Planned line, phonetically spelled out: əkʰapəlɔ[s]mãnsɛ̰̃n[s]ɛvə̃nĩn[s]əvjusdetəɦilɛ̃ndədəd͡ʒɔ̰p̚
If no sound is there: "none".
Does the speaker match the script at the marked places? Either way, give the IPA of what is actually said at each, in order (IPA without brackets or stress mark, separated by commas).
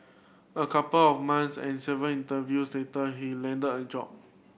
f, s, t